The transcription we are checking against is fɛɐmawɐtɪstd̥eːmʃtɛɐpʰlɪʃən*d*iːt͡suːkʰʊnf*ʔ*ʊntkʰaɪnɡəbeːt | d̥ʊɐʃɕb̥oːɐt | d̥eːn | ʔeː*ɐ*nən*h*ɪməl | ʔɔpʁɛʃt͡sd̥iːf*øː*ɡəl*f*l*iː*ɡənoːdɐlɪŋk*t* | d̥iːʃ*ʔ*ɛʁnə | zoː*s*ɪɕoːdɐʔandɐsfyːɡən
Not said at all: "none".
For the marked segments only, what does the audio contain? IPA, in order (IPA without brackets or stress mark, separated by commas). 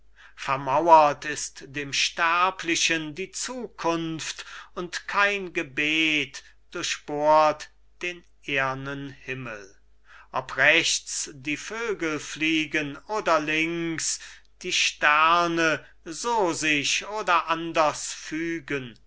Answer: d, t, ɐ, h, øː, f, iː, s, t, z